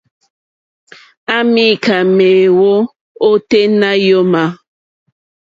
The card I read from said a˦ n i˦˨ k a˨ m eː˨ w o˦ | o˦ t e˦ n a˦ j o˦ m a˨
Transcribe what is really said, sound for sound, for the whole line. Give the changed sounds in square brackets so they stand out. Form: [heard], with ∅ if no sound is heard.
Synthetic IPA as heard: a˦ [m] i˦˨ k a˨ m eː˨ w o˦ | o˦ t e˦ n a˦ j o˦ m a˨